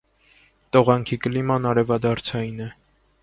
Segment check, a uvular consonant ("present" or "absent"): present